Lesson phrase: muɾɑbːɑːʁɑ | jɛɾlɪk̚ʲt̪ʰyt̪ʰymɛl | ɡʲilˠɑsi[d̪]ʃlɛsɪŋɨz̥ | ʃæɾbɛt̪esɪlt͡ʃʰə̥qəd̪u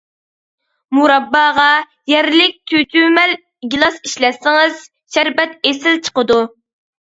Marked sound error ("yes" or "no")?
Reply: yes